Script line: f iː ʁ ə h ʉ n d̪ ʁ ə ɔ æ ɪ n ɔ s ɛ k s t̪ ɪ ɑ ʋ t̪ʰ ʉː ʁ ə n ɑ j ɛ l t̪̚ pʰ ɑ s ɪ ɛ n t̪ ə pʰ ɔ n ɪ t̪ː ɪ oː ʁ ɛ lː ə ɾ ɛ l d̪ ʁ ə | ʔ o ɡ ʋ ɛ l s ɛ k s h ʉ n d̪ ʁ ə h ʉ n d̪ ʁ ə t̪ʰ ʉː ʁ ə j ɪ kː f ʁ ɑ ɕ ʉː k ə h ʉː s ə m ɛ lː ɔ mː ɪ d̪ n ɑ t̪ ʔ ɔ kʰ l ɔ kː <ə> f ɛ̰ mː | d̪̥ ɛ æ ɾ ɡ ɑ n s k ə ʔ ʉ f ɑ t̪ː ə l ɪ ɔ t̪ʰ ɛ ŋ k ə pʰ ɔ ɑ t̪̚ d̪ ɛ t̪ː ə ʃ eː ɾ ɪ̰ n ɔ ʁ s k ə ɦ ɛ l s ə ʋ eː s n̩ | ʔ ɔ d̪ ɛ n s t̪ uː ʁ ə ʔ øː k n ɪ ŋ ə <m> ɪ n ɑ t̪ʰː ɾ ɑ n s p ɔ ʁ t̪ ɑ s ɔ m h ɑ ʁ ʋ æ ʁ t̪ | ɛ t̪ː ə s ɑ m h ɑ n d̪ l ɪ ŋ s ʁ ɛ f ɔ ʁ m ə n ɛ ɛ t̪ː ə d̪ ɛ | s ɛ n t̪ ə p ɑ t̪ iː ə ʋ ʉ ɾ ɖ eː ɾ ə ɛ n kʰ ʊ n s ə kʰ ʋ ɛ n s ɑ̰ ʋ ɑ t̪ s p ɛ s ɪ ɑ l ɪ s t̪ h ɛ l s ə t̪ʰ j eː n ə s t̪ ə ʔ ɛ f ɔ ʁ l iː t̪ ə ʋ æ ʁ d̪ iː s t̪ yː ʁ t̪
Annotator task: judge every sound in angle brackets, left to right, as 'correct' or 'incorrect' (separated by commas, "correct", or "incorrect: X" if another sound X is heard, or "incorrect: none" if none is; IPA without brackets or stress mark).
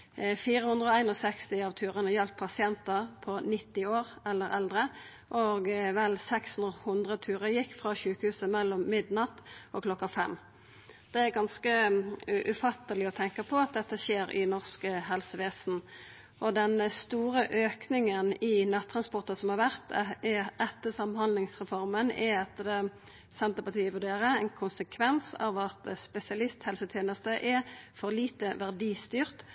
incorrect: ɑ, incorrect: n